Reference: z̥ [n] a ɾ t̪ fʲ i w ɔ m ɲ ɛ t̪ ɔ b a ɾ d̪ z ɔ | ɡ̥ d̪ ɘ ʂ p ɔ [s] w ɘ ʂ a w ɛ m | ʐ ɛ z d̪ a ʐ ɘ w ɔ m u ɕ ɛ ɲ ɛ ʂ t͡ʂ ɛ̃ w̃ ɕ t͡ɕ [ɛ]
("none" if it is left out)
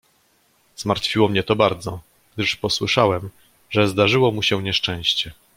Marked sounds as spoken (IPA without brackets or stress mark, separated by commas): m, s, ɛ